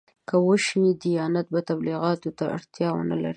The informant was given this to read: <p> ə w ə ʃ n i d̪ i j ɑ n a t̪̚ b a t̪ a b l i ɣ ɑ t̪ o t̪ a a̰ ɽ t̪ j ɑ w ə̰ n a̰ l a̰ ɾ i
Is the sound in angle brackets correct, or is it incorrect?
incorrect: k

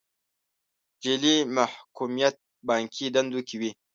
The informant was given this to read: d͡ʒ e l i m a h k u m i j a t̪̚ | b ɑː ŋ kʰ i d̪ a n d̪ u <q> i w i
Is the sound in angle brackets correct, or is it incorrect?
incorrect: k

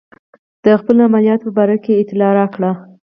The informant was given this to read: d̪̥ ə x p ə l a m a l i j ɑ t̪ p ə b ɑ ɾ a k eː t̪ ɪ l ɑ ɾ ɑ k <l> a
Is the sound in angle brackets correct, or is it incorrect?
incorrect: ɽ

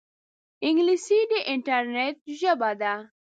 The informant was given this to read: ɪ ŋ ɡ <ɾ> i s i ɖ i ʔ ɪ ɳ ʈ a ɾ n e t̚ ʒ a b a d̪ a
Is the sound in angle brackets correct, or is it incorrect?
incorrect: l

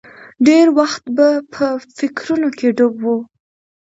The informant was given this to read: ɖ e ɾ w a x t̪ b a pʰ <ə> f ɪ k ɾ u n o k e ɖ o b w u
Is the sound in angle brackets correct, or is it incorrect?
correct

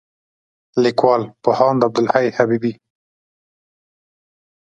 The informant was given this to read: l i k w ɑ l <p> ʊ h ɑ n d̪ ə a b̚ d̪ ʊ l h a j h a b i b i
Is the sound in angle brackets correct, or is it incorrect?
correct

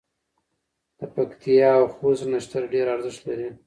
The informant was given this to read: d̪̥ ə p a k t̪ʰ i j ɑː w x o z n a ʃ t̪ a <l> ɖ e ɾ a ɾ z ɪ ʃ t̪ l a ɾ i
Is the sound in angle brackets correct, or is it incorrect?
incorrect: ɾ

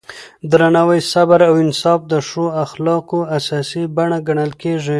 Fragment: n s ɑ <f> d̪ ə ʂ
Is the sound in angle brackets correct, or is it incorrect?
correct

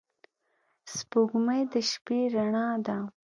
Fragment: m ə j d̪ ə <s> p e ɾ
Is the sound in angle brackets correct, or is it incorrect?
incorrect: ʃ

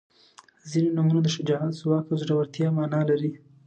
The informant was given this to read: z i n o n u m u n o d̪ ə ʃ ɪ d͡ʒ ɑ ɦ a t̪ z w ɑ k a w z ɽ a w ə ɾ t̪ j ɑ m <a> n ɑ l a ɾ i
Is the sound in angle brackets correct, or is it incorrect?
incorrect: ɑ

